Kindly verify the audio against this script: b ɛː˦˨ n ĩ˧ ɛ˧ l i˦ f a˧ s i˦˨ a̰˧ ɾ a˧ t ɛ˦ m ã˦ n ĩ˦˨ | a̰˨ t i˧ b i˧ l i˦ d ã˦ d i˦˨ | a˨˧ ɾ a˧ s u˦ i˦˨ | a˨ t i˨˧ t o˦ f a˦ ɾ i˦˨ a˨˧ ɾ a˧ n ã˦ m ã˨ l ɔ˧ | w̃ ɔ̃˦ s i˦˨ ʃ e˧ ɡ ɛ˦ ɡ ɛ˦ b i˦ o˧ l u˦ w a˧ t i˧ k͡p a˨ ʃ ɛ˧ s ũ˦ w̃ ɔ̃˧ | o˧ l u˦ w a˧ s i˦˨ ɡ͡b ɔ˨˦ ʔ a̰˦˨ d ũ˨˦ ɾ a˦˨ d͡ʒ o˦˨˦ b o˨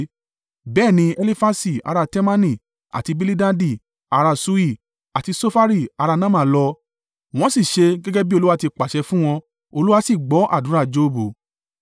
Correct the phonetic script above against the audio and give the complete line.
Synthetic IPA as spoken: b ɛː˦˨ n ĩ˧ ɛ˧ l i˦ f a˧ s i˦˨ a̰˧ ɾ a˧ t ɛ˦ m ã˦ n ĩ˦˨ | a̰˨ t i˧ b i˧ l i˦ d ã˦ d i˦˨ | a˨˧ ɾ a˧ s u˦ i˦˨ | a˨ t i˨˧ s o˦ f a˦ ɾ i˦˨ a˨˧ ɾ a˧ n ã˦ m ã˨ l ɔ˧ | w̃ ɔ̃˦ s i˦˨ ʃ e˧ ɡ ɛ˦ ɡ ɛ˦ b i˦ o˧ l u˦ w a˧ t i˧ k͡p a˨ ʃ ɛ˧ f ũ˦ w̃ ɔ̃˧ | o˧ l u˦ w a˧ s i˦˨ ɡ͡b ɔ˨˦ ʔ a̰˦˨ d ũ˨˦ ɾ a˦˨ d͡ʒ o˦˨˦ b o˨